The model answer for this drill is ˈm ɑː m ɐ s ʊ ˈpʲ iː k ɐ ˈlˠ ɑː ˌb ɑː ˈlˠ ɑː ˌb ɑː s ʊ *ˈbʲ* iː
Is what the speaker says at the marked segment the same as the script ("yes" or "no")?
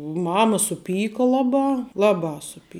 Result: no